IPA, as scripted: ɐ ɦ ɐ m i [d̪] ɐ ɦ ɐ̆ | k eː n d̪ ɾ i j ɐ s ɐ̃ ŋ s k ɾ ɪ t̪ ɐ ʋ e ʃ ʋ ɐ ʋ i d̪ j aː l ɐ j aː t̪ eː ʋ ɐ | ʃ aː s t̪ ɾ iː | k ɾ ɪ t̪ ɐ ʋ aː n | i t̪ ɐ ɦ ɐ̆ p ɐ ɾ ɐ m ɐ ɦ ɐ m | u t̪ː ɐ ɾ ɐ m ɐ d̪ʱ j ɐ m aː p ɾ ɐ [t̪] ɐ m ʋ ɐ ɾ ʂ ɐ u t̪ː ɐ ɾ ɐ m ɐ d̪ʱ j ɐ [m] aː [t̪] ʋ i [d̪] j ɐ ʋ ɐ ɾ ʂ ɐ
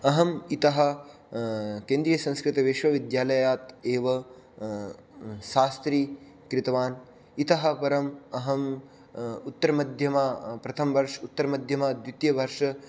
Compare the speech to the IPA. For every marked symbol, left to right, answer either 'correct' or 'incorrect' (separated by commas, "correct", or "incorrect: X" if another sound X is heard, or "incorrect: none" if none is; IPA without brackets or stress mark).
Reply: incorrect: t̪, incorrect: t̪ʰ, correct, incorrect: d̪, incorrect: t̪